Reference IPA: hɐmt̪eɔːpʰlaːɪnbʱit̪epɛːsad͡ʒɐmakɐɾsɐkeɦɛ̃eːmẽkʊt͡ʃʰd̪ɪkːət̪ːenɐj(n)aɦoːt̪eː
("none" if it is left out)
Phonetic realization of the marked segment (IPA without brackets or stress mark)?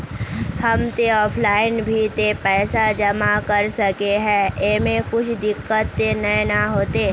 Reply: n